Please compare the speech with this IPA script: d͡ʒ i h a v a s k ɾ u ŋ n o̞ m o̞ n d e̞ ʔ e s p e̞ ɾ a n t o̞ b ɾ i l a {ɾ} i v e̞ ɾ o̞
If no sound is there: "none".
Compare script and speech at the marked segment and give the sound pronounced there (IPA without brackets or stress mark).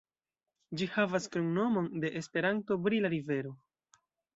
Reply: ɾ